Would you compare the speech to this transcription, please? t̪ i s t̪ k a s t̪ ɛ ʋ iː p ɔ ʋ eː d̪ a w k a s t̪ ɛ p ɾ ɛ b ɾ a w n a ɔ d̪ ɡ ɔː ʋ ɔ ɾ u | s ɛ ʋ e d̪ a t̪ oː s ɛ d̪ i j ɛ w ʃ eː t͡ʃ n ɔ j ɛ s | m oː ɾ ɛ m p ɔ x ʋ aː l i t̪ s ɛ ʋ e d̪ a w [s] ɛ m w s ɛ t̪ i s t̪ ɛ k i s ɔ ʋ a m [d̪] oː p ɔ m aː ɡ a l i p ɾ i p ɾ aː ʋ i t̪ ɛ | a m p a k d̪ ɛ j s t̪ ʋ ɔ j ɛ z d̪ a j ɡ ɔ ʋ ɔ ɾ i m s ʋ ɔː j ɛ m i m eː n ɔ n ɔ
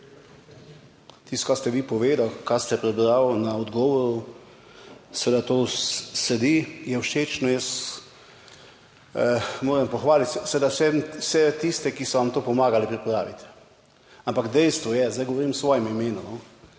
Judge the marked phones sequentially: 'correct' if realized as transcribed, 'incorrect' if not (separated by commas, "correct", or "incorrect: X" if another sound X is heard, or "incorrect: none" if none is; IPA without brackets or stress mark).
correct, incorrect: t̪